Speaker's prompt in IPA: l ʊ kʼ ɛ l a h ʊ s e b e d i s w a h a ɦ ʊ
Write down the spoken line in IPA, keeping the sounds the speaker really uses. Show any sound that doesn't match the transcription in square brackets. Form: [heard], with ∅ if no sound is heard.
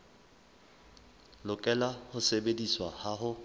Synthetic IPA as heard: l ʊ kʼ ɛ l a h ʊ s e b e d i s w a h a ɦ ʊ